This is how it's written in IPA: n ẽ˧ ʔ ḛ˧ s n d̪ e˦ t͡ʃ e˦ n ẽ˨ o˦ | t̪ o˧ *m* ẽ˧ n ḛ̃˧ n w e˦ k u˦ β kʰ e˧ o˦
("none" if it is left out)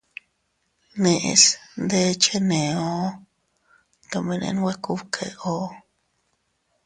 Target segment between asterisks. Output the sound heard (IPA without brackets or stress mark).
m